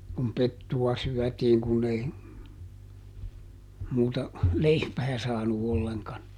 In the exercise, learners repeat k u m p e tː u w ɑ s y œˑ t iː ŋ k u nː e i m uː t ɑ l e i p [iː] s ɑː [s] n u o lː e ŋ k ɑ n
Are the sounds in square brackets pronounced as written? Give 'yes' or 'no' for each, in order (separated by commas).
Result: no, no